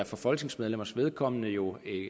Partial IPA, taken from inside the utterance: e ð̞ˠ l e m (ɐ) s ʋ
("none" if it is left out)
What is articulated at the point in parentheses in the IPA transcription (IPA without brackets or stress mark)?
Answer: ɐ